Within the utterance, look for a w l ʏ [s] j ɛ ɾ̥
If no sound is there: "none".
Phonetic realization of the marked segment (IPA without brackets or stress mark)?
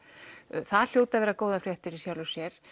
s